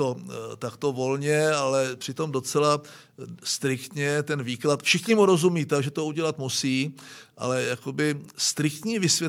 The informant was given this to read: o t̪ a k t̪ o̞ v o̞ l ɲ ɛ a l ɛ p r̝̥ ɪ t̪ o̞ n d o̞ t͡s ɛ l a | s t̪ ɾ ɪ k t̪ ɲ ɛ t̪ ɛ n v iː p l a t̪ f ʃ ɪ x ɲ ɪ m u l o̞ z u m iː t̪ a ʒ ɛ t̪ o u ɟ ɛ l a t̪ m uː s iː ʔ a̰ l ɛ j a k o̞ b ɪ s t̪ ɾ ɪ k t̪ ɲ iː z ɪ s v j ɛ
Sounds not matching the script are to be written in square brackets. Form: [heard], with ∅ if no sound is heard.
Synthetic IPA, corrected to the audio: o t̪ a k t̪ o̞ v o̞ l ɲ ɛ a l ɛ p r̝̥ ɪ t̪ o̞ [m] d o̞ t͡s ɛ l a | s t̪ ɾ ɪ k t̪ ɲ ɛ t̪ ɛ n v iː [k] l a t̪ f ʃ ɪ x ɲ ɪ m u [ɾ] o̞ z u m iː t̪ a ʒ ɛ t̪ o u ɟ ɛ l a t̪ m [u] s iː ʔ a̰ l ɛ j a k o̞ b ɪ s t̪ ɾ ɪ k t̪ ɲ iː [v] ɪ s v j ɛ